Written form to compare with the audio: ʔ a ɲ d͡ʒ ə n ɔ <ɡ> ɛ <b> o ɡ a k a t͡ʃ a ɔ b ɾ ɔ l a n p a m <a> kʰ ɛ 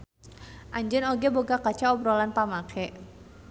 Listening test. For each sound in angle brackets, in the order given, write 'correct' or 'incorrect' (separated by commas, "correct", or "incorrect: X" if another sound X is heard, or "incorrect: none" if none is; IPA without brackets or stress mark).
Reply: correct, correct, correct